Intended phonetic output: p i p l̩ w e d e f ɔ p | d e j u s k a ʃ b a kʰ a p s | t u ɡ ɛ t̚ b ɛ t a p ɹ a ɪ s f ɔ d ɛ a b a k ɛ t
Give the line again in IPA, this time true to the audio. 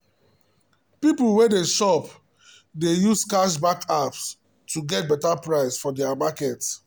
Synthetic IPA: p i p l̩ w e d e ʃ ɔ p | d e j u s k a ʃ b a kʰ a p s | t u ɡ ɛ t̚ b ɛ t a p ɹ a ɪ s f ɔ d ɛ a m a k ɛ t